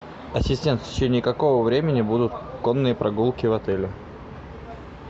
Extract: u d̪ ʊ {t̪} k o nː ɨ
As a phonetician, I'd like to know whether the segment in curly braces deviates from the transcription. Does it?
no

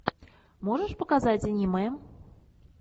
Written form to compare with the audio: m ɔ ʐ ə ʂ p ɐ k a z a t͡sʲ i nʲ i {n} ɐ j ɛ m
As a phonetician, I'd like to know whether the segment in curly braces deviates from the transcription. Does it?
yes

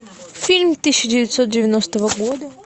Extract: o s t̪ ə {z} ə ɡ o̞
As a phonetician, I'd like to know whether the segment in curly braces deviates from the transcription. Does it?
yes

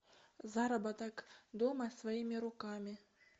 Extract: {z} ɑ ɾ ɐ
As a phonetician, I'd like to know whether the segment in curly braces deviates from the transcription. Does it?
no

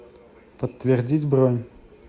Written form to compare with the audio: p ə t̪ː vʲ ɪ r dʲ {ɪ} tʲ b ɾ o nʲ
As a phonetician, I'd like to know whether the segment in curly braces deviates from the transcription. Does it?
yes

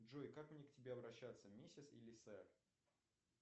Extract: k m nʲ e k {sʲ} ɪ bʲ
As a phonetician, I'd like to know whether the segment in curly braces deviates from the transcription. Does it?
yes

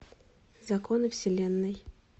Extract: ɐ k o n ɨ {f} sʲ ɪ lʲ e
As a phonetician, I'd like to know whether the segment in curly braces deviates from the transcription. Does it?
no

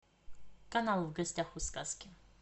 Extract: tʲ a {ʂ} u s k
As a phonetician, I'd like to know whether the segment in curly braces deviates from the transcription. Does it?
yes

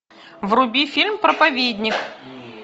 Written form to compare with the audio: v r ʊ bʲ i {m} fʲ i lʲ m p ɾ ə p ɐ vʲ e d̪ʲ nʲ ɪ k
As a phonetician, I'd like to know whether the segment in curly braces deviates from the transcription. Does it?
yes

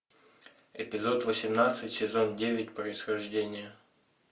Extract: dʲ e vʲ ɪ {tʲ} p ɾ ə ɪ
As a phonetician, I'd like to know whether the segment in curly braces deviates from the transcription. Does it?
no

